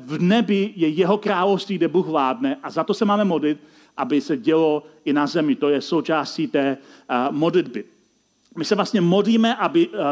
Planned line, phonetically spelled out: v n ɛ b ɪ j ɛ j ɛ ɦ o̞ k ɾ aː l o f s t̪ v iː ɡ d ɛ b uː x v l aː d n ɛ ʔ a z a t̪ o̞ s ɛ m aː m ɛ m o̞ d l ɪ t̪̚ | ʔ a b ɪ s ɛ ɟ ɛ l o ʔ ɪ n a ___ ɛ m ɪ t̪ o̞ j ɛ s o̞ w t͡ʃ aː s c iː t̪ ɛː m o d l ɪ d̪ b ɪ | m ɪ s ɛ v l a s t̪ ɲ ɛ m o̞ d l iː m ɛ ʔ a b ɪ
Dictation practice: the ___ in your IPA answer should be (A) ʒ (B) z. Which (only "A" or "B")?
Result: B